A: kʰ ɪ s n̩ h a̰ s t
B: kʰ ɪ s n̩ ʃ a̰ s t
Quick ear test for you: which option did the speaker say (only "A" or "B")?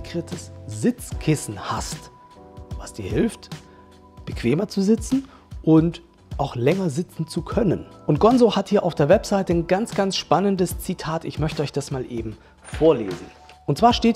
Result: A